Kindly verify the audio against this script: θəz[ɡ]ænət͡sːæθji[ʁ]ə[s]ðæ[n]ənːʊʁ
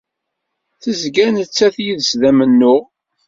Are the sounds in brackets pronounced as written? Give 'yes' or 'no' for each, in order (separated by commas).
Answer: yes, no, yes, no